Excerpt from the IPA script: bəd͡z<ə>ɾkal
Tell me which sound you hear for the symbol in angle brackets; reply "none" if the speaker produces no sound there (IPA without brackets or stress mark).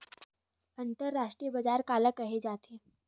a